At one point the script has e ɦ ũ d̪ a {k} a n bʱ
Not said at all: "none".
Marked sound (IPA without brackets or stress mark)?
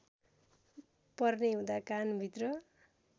k